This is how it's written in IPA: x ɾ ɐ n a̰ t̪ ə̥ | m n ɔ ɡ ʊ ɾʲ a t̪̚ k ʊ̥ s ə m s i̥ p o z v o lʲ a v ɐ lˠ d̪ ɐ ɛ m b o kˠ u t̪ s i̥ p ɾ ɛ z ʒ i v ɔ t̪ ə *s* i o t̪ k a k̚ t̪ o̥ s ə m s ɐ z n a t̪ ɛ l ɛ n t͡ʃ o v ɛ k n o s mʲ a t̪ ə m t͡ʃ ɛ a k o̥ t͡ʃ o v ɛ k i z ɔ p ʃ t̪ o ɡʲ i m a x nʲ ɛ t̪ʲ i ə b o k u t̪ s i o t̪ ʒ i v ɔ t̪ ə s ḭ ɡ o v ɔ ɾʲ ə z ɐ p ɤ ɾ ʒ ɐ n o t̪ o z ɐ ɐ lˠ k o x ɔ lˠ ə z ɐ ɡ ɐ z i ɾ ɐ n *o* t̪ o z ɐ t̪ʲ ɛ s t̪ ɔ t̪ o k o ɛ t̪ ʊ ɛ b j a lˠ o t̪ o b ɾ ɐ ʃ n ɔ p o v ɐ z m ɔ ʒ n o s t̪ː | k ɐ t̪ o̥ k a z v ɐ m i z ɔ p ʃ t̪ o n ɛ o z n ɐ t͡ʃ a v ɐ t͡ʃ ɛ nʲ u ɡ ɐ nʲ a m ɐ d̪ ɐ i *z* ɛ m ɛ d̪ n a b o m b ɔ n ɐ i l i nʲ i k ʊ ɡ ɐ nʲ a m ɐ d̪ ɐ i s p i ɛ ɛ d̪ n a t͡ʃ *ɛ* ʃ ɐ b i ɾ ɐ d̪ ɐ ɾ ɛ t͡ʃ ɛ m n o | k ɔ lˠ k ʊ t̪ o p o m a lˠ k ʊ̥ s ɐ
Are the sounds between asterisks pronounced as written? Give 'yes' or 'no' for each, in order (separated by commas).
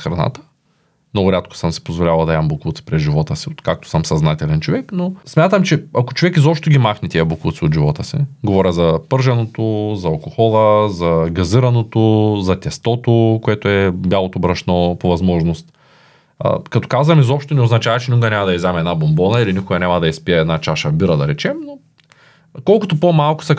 yes, yes, yes, no